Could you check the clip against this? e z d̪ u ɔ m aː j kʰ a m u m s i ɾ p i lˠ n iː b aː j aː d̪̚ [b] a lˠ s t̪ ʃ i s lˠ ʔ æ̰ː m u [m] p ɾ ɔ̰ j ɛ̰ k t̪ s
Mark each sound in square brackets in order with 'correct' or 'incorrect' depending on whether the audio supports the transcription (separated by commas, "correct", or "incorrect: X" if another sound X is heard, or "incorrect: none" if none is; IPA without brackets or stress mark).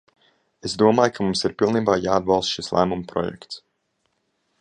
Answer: correct, correct